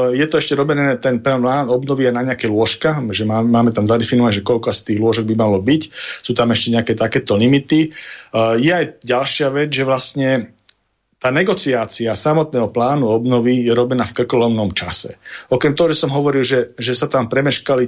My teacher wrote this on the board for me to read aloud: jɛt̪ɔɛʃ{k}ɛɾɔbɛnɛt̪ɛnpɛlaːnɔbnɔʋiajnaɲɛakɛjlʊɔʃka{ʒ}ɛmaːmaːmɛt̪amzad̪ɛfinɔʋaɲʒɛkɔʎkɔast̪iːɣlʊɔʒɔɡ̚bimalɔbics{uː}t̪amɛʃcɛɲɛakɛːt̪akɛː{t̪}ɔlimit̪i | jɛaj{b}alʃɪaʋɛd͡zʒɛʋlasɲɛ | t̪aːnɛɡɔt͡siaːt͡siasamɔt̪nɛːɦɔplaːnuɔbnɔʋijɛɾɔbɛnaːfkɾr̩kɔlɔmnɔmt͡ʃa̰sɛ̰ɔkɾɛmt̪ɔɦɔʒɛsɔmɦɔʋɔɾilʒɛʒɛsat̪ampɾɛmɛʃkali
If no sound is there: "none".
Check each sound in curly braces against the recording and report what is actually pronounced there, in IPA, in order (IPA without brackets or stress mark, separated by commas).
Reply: c, ʒ, uː, t̪, ɟ